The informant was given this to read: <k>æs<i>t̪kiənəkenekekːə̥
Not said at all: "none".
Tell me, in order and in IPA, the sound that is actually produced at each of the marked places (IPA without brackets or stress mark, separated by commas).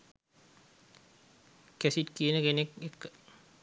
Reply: k, i